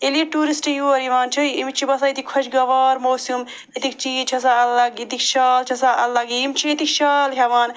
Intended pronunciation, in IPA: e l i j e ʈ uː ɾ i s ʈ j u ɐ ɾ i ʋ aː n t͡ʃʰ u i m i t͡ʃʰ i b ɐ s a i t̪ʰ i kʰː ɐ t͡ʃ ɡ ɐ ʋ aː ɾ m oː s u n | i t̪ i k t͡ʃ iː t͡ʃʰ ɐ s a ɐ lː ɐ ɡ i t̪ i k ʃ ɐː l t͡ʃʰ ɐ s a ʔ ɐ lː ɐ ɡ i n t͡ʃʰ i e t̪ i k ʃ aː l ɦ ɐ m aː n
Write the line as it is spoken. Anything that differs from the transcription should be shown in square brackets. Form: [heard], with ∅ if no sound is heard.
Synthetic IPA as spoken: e l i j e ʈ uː ɾ i s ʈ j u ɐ ɾ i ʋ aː n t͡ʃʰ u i m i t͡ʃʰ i b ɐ s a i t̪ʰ i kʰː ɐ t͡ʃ ɡ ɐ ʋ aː ɾ m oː s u [m] | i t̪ i k t͡ʃ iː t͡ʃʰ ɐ s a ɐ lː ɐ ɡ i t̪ i k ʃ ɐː l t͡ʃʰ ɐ s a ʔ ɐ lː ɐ ɡ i [m] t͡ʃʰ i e t̪ i k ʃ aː l ɦ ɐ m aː n